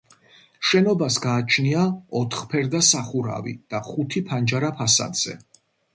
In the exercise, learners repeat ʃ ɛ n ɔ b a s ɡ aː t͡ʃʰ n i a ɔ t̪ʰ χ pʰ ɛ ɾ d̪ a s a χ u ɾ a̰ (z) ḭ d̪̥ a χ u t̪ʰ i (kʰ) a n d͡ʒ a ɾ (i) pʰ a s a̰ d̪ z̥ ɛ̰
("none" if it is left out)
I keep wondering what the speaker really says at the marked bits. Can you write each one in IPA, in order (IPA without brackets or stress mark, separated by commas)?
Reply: v, pʰ, a